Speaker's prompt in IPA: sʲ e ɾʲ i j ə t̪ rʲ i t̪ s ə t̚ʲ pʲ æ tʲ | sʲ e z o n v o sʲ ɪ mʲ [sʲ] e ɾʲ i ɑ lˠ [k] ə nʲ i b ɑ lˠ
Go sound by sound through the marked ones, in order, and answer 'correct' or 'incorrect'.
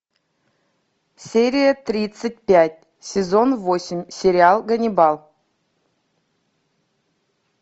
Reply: correct, incorrect: ɡ

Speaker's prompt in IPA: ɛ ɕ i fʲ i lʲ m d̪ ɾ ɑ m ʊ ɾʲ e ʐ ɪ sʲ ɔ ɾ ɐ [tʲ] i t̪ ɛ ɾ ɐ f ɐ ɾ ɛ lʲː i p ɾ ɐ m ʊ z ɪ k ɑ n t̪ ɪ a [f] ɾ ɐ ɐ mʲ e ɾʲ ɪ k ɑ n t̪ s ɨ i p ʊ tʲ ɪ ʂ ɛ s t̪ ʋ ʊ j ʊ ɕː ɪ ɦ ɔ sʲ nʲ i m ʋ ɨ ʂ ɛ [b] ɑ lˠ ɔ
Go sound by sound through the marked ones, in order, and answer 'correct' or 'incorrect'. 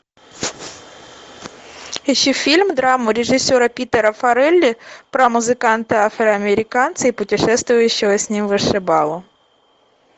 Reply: incorrect: pʲ, correct, correct

